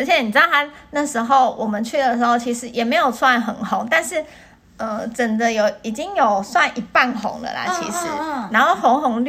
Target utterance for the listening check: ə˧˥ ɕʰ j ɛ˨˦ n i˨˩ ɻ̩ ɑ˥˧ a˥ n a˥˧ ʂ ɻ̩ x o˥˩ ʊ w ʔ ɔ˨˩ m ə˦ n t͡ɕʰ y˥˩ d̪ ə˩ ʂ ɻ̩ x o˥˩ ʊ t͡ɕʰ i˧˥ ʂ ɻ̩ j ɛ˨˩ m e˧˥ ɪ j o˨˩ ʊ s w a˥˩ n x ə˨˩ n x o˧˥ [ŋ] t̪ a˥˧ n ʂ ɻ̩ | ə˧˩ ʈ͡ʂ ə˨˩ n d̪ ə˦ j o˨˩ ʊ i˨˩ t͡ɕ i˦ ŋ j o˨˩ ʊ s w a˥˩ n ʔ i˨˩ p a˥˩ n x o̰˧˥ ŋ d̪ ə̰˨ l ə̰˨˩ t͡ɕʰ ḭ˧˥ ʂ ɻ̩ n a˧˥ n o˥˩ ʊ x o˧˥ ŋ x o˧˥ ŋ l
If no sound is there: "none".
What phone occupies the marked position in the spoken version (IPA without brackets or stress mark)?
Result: ŋ